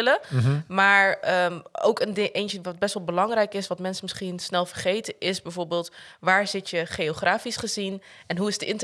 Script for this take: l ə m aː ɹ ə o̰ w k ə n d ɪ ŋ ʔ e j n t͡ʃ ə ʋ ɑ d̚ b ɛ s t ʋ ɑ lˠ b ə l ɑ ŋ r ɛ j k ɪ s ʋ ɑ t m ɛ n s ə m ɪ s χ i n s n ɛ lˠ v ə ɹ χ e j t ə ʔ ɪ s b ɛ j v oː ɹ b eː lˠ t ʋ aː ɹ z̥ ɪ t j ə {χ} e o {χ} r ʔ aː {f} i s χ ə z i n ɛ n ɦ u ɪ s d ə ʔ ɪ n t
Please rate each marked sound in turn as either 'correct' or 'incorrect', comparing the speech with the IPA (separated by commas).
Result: correct, correct, correct